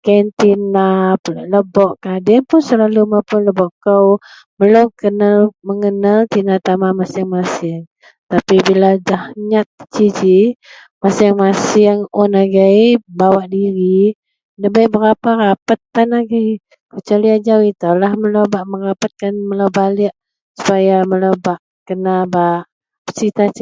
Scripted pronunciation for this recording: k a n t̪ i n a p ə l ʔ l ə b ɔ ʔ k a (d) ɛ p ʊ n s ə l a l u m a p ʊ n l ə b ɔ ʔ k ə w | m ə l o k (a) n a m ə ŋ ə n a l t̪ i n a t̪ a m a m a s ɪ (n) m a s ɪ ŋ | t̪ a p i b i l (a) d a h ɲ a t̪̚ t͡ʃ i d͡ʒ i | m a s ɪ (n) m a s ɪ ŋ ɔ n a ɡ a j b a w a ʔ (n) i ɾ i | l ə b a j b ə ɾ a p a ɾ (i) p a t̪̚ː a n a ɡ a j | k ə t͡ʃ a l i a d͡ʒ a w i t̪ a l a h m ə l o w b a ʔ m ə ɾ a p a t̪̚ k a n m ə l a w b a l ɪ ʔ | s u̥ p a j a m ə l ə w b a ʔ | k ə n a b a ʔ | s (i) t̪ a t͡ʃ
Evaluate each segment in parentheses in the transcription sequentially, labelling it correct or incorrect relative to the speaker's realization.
correct, incorrect: ə, incorrect: ŋ, correct, incorrect: ŋ, incorrect: d, incorrect: a, correct

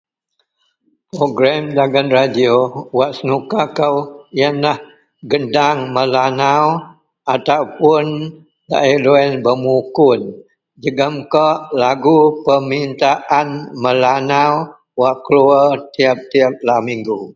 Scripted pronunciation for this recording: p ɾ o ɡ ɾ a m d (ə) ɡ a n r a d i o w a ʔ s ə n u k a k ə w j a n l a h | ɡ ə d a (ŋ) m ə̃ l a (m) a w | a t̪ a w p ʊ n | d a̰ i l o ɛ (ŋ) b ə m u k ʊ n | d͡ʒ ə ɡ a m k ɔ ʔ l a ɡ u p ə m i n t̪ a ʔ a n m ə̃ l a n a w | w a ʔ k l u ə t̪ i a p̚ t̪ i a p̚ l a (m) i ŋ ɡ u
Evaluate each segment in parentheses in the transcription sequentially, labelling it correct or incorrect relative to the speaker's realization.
incorrect: a, correct, incorrect: n, incorrect: n, correct

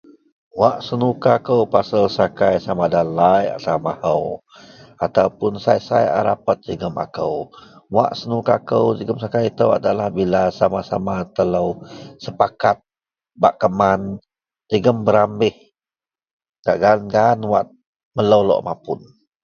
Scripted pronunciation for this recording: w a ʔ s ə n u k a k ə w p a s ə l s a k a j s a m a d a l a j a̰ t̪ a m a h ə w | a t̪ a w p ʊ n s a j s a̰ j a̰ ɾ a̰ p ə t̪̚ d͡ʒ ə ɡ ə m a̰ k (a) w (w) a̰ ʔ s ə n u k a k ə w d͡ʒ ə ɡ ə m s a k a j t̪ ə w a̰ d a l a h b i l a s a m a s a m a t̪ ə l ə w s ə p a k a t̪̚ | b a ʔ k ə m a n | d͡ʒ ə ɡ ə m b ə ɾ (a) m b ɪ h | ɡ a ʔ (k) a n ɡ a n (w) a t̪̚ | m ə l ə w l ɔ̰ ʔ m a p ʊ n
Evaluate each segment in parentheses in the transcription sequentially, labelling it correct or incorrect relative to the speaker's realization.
incorrect: ə, correct, correct, incorrect: ɡ, correct

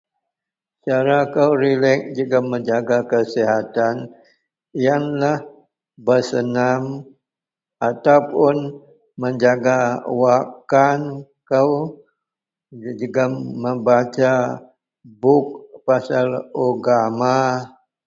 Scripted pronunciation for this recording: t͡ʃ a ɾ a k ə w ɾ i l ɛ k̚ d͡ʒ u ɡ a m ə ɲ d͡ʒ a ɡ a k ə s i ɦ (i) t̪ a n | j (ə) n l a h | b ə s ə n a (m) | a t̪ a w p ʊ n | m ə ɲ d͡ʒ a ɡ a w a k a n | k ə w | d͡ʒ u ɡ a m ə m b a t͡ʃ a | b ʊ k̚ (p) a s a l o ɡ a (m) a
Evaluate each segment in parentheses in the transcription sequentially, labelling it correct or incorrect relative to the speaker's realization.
incorrect: a, incorrect: a, correct, correct, correct

